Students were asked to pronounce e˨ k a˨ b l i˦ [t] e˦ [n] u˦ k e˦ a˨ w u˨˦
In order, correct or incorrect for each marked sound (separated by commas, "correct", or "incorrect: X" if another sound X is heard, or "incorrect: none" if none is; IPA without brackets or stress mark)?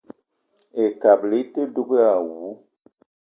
correct, incorrect: d